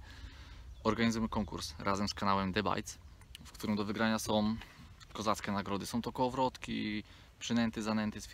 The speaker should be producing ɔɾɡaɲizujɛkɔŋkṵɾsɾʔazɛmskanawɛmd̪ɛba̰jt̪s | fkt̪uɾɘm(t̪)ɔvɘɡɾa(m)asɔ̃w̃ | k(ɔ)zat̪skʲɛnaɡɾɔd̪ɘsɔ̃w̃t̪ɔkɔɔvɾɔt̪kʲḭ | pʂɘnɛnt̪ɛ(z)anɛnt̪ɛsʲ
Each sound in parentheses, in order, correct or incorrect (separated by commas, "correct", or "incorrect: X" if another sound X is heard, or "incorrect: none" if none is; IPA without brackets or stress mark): incorrect: d̪, incorrect: ɲ, correct, correct